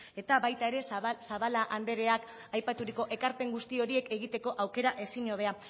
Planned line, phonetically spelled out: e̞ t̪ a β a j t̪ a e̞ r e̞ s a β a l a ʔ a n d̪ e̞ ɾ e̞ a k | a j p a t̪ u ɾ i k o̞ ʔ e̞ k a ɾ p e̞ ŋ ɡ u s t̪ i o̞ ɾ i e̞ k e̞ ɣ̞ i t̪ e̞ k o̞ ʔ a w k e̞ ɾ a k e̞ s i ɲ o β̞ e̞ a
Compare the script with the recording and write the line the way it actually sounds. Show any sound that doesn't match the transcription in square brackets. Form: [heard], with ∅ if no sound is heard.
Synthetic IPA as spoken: e̞ t̪ a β a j t̪ a e̞ [ɾ] e̞ s a β a l a ʔ a n d̪ e̞ ɾ e̞ a k | a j p a t̪ u ɾ i k o̞ ʔ e̞ k a ɾ p e̞ ŋ ɡ u s t̪ i o̞ ɾ i e̞ k e̞ ɣ̞ i t̪ e̞ k o̞ ʔ a w k e̞ ɾ a [ʔ] e̞ s i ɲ o β̞ e̞ a